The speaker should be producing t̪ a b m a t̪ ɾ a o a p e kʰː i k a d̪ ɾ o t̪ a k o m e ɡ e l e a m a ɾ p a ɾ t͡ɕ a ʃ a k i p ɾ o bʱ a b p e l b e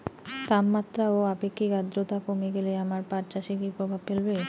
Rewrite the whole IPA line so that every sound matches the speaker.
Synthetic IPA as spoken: t̪ a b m a t̪ ɾ a o a p e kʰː i k a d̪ ɾ o t̪ a k o m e ɡ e l e a m a ɾ p a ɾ t͡ɕ a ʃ i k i p ɾ o bʱ a b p e l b e